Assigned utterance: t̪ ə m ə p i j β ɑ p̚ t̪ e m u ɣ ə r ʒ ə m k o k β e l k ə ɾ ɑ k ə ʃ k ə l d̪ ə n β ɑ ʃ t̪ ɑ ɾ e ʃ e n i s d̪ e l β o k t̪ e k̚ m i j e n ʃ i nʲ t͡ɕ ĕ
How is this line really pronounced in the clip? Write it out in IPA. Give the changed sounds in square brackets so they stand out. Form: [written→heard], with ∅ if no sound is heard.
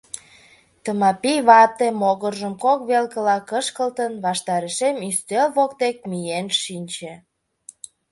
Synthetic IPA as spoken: t̪ ə m [ə→ɑ] p i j β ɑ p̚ t̪ e m [u→o] ɣ ə r ʒ ə m k o k β e l k ə [ɾ→l] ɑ k ə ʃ k ə l [d̪→t̪] ə n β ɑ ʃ t̪ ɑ ɾ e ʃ e [n→m] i s [d̪→t̪] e l β o k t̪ e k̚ m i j e n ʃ i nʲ t͡ɕ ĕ

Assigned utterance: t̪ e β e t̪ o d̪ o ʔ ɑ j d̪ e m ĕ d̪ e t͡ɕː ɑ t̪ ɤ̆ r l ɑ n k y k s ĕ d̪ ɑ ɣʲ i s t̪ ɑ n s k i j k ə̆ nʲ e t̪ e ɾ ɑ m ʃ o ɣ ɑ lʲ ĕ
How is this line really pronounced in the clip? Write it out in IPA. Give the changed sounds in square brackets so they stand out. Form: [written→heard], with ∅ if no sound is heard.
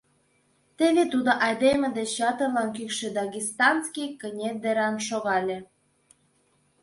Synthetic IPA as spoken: t̪ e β e t̪ [o→u] d̪ o ʔ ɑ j d̪ e m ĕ d̪ e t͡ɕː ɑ t̪ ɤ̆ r l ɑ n k y k [s→ʃ] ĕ d̪ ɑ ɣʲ i s t̪ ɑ n s k i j k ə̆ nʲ e [t̪→d̪] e ɾ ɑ m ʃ o ɣ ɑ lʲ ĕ

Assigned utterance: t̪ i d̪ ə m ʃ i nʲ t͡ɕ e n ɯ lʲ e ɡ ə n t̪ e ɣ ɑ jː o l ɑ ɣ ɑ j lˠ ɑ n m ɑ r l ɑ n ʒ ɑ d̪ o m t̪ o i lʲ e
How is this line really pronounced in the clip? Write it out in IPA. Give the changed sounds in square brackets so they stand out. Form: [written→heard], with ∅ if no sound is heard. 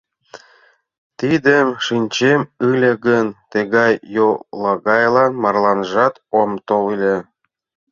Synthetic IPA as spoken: t̪ i d̪ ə m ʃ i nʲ t͡ɕ e [n→m] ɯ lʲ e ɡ ə n t̪ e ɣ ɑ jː o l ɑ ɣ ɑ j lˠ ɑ n m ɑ r l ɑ n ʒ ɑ [d̪→t̪] o m t̪ o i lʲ e

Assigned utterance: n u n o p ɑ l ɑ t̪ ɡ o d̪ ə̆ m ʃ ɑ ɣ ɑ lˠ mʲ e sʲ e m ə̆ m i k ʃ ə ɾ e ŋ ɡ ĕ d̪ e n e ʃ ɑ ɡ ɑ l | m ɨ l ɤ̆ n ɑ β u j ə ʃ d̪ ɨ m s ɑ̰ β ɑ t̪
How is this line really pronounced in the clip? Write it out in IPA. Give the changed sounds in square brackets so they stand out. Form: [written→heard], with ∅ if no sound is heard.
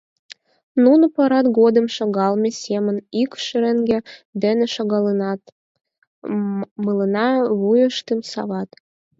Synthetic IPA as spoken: n u n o p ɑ [l→ɾ] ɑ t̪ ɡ o d̪ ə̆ m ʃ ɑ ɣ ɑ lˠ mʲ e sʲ e m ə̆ [m→n] i k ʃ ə ɾ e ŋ ɡ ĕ d̪ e n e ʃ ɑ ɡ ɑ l | m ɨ l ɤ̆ n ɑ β u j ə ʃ [d̪→t̪] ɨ m s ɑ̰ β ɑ t̪

